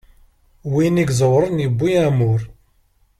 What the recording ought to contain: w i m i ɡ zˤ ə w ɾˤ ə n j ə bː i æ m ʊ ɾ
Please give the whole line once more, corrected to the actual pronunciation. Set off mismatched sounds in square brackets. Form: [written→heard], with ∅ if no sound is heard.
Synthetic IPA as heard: w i [m→n] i ɡ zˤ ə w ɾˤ ə n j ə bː i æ m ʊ ɾ